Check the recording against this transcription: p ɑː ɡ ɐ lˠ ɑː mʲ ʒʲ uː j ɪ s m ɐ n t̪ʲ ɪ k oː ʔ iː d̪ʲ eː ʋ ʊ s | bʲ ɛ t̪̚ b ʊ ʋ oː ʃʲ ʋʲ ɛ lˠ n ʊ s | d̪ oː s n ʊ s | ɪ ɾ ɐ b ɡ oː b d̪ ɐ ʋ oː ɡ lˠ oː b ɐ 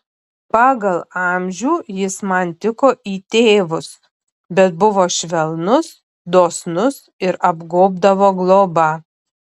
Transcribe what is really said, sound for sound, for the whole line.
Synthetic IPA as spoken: p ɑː ɡ ɐ lˠ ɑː mʲ ʒʲ uː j ɪ s m ɐ n t̪ʲ ɪ k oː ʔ iː t̪ʲ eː ʋ ʊ s | bʲ ɛ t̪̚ b ʊ ʋ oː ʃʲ ʋʲ ɛ lˠ n ʊ s | d̪ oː s n ʊ s | ɪ ɾ ɐ b ɡ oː b d̪ ɐ ʋ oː ɡ lˠ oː b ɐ